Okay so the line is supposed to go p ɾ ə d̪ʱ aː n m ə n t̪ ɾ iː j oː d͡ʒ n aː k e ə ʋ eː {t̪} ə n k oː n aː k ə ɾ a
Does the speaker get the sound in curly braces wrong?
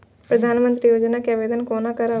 yes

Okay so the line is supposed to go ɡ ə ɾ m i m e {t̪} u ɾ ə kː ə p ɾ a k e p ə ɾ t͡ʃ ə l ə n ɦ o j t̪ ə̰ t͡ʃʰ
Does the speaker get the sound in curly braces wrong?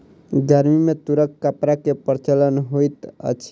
no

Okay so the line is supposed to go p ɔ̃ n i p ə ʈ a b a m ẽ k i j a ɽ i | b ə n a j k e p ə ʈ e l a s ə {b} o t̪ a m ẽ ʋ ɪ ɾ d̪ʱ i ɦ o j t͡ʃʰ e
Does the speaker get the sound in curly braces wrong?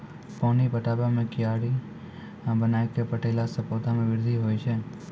yes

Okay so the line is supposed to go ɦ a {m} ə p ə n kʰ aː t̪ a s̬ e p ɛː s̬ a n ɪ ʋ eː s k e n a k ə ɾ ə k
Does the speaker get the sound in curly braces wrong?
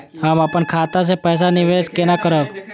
no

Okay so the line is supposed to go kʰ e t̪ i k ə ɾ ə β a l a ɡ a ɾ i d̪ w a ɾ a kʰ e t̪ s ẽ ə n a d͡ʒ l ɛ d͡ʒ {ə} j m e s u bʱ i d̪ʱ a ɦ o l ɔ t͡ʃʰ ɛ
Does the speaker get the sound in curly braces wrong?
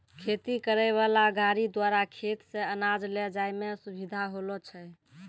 yes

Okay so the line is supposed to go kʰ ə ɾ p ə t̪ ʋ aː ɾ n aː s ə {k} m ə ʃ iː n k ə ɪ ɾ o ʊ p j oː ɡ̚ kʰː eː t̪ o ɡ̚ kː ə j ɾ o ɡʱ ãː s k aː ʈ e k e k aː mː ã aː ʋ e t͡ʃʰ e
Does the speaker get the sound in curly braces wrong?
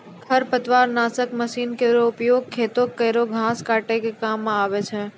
no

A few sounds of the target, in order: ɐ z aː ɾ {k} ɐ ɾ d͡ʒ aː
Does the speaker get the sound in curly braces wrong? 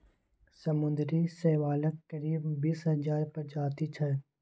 yes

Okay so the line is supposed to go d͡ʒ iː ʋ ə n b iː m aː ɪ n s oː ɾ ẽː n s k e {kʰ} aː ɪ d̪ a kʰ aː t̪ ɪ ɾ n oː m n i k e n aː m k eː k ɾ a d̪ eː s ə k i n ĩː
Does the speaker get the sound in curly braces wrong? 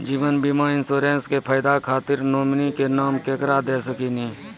yes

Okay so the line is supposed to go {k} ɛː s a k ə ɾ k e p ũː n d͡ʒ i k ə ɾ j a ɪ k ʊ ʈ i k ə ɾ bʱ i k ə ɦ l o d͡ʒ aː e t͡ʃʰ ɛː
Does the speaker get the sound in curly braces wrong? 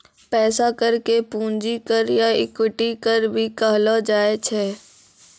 yes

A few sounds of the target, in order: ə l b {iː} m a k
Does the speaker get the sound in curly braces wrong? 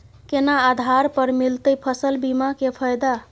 yes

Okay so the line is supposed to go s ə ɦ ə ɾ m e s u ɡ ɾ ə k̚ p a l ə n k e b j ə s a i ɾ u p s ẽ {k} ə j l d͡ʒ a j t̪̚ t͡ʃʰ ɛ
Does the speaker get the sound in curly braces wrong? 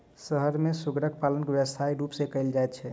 no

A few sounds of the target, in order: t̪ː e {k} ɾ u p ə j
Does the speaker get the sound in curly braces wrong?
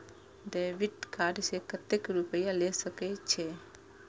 no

